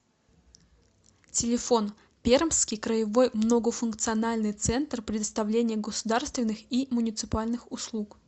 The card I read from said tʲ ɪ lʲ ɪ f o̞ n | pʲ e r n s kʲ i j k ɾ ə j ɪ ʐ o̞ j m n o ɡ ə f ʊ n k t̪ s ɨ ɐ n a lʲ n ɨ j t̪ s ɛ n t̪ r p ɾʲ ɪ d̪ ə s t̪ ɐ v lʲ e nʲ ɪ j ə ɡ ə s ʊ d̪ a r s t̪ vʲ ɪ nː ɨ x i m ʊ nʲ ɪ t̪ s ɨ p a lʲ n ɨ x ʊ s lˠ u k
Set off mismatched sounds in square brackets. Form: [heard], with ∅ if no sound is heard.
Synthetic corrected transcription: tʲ ɪ lʲ ɪ f o̞ n | pʲ e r [m] s kʲ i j k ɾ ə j ɪ [v] o̞ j m n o ɡ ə f ʊ n k t̪ s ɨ ɐ n a lʲ n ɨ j t̪ s ɛ n t̪ r p ɾʲ ɪ d̪ ə s t̪ ɐ v lʲ e nʲ ɪ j ə ɡ ə s ʊ d̪ a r s t̪ vʲ ɪ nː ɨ x i m ʊ nʲ ɪ t̪ s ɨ p a lʲ n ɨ x ʊ s lˠ u k